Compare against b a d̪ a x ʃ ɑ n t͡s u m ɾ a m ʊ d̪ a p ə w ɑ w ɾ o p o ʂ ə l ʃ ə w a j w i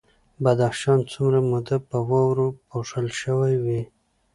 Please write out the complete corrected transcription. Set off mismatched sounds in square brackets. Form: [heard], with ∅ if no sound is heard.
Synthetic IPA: b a d̪ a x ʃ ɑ n t͡s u m ɾ a m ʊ d̪ a p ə w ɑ w ɾ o p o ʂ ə l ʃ ə w a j w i